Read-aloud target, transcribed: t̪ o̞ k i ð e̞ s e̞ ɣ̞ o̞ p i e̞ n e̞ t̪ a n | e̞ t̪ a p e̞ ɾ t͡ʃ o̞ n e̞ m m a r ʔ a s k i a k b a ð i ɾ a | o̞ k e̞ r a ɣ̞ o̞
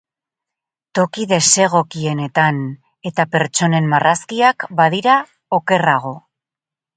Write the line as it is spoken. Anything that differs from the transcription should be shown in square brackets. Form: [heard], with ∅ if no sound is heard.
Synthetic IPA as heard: t̪ o̞ k i ð e̞ s e̞ ɣ̞ o̞ [k] i e̞ n e̞ t̪ a n | e̞ t̪ a p e̞ ɾ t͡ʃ o̞ n e̞ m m a r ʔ a s k i a k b a ð i ɾ a | o̞ k e̞ r a ɣ̞ o̞